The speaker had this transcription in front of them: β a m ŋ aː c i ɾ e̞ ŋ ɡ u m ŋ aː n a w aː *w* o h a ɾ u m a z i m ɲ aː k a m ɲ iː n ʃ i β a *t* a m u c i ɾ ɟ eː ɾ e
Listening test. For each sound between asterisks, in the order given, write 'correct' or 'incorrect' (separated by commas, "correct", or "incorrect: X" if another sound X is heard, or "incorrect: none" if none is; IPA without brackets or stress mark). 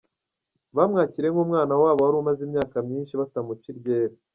incorrect: β, correct